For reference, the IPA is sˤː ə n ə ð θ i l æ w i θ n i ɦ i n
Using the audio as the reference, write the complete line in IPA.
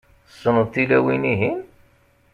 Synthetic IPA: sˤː ə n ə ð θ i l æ w i n i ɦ i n